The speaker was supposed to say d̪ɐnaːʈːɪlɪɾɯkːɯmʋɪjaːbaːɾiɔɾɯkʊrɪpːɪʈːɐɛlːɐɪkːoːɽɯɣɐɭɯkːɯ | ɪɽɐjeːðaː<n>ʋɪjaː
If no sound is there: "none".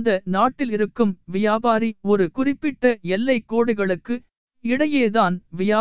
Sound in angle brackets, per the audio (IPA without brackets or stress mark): n